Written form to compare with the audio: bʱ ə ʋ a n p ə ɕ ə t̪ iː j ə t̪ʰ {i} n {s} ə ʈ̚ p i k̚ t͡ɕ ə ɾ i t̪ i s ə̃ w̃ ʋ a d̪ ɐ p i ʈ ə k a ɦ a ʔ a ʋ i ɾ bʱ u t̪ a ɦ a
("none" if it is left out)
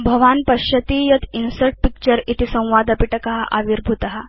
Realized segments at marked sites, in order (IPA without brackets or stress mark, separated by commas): i, s